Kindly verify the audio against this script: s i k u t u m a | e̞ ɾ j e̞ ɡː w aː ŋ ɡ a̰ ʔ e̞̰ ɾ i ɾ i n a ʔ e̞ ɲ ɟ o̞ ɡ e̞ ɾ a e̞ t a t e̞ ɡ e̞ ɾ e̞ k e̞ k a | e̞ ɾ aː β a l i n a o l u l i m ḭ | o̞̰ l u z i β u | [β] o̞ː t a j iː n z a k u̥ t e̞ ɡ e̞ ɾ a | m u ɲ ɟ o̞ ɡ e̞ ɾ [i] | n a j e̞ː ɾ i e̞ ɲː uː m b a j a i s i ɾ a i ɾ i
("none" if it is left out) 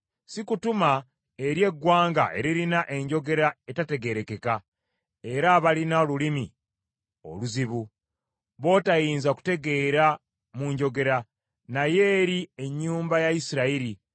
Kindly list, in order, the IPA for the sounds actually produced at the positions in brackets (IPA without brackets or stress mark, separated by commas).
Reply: β, a